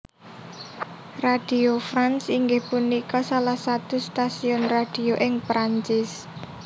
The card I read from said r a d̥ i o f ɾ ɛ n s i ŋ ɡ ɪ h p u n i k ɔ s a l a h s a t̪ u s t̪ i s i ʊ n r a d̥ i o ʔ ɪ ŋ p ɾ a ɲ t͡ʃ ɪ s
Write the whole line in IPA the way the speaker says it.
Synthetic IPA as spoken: r a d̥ i o f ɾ a n s i ŋ ɡ ɪ h p u n i k ɔ s a l a h s a t̪ u s t̪ a s i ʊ n r a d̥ i o ʔ ɪ ŋ p ɾ a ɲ t͡ʃ ɪ s